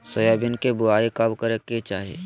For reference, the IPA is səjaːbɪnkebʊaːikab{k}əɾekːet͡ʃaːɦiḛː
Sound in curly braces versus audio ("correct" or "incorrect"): correct